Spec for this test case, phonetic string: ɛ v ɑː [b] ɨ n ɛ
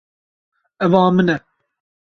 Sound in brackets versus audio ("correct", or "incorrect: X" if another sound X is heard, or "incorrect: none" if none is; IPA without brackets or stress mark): incorrect: m